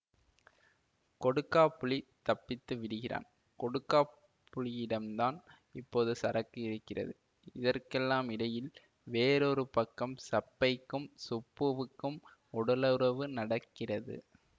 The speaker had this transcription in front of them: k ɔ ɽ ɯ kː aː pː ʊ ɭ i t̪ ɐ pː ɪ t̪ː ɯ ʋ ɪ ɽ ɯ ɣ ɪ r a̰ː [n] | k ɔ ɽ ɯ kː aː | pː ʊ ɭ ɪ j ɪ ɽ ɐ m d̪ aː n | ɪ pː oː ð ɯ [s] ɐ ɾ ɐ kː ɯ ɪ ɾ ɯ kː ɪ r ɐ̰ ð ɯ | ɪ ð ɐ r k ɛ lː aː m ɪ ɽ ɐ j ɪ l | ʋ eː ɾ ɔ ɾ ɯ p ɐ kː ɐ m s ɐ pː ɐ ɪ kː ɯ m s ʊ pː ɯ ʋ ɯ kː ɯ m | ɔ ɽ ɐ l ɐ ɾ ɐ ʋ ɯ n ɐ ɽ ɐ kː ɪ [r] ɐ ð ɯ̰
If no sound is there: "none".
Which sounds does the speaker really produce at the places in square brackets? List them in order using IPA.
n, s, r

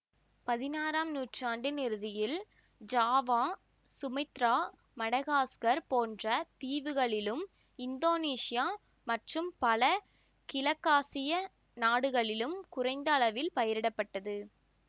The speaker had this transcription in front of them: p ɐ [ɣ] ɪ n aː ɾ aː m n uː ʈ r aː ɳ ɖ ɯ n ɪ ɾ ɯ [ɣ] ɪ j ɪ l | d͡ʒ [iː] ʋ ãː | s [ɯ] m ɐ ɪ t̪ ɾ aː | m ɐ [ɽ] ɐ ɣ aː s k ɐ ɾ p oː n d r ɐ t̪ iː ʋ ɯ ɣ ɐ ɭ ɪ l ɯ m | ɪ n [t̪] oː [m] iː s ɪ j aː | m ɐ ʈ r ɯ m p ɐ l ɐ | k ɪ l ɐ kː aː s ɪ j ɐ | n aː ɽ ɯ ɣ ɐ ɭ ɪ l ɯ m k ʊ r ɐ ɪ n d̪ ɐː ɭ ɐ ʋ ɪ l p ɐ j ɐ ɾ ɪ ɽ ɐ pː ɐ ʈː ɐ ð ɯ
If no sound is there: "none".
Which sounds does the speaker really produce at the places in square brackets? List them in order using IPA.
ð, ð, aː, ʊ, ɽ, d̪, n

